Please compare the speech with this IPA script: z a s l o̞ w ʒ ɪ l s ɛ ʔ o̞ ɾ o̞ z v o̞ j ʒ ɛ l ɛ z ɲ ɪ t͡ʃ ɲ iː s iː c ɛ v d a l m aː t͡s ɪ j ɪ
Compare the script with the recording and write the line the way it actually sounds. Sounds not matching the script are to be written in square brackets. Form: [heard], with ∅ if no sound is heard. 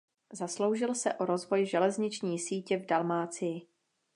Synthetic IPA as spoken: z a s l o̞ w ʒ ɪ l s ɛ ʔ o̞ ɾ o̞ z v o̞ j ʒ ɛ l ɛ z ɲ ɪ t͡ʃ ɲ iː s iː c ɛ v d a l m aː t͡s ɪ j ɪ

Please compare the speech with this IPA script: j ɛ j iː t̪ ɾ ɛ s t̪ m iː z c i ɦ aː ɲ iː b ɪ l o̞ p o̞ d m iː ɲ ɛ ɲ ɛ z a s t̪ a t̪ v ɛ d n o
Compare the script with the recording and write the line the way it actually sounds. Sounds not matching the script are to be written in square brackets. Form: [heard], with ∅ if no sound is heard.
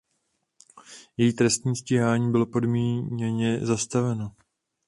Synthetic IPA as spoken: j ɛ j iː t̪ ɾ ɛ s t̪ [ɲ] iː [s] c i ɦ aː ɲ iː b ɪ l o̞ p o̞ d m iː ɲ ɛ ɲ ɛ z a s t̪ a [∅] v ɛ [∅] n o

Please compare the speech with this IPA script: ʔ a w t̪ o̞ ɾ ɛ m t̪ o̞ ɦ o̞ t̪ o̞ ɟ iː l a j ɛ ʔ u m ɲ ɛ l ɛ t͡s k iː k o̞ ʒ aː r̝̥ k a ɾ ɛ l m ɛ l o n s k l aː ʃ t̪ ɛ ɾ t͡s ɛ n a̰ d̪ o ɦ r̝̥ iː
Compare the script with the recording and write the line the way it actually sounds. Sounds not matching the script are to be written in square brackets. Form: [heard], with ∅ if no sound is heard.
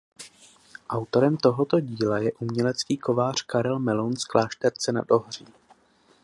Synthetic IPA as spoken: ʔ a w t̪ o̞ ɾ ɛ m t̪ o̞ ɦ o̞ t̪ o̞ ɟ iː l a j ɛ ʔ u m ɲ ɛ l ɛ t͡s k iː k o̞ [v] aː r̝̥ k a ɾ ɛ l m ɛ l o n s k l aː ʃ t̪ ɛ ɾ t͡s ɛ n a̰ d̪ o ɦ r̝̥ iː

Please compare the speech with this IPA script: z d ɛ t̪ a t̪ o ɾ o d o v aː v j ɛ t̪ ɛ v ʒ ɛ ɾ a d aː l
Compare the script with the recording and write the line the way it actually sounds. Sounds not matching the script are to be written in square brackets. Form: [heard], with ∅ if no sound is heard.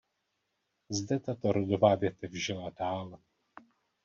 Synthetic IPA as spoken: z d ɛ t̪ a t̪ o ɾ o d o v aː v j ɛ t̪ ɛ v ʒ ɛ [l] a d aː l

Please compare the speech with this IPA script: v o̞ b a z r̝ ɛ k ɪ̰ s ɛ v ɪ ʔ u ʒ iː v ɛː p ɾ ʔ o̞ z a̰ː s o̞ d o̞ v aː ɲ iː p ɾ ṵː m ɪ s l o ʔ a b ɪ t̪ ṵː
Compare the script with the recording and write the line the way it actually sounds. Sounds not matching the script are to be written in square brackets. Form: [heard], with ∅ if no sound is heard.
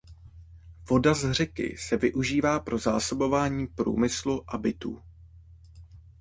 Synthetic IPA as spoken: v o̞ [d] a z r̝ ɛ k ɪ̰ s ɛ v ɪ ʔ u ʒ iː v [aː] p ɾ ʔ o̞ z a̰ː s o̞ [b] o̞ v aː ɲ iː p ɾ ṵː m ɪ s l [u] ʔ a b ɪ t̪ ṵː

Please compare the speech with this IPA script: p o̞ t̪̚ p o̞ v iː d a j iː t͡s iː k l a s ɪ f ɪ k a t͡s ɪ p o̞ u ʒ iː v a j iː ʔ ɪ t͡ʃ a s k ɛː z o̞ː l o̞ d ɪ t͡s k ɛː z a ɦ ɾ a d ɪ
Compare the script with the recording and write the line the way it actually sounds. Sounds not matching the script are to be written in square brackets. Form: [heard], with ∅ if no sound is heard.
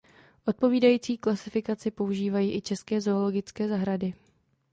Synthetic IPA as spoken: [ʔ] o̞ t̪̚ p o̞ v iː d a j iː t͡s iː k l a s ɪ f ɪ k a t͡s ɪ p o̞ u ʒ iː v a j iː ʔ ɪ t͡ʃ [ɛ] s k ɛː z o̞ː l o̞ [ɡ] ɪ t͡s k ɛː z a ɦ ɾ a d ɪ

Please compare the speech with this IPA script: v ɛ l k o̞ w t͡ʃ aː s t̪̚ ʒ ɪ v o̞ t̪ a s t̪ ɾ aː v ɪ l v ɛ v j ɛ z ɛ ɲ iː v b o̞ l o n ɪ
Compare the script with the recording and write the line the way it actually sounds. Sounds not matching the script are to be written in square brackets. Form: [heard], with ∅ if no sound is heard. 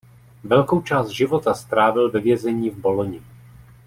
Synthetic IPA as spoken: v ɛ l k o̞ w t͡ʃ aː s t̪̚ ʒ ɪ v o̞ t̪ a s t̪ ɾ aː v ɪ l v ɛ v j ɛ z ɛ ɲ iː v b o̞ l o [ɲ] ɪ

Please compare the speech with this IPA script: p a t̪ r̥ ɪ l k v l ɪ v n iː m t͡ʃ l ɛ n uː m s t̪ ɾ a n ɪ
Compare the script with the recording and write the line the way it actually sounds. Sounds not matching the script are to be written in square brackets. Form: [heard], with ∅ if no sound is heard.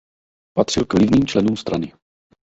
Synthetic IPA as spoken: p a t̪ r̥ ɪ l k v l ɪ v n iː m t͡ʃ l ɛ n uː m s t̪ ɾ a n ɪ

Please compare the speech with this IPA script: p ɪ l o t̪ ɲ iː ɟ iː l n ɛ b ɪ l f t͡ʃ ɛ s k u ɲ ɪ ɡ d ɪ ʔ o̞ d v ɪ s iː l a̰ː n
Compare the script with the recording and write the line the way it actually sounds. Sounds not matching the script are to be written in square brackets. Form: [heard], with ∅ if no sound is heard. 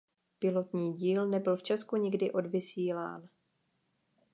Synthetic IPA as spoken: p ɪ l o t̪ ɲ iː ɟ iː l n ɛ b ɪ l f t͡ʃ ɛ s k u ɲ ɪ ɡ d ɪ ʔ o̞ d v ɪ s iː l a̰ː n

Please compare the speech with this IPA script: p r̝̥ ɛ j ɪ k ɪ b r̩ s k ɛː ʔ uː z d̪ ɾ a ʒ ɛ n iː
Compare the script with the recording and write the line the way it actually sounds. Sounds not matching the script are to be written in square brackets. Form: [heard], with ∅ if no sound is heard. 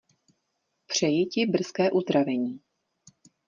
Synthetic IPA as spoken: p r̝̥ ɛ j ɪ [c] ɪ b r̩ s k ɛː ʔ [u] z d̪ ɾ a [v] ɛ [ɲ] iː

